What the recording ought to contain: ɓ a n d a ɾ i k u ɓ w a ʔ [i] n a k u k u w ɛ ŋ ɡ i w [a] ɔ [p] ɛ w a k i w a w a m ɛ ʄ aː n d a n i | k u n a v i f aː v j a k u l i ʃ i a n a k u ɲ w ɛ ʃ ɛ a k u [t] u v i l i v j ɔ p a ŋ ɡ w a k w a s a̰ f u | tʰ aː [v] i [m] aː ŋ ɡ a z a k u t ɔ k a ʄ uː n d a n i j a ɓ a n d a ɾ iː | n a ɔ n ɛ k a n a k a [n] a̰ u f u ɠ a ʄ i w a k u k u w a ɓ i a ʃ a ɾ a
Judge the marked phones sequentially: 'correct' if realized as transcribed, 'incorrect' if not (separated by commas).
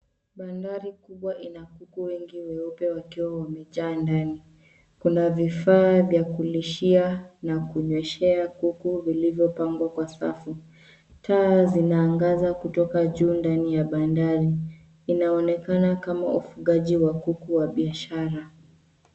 correct, incorrect, correct, incorrect, incorrect, incorrect, incorrect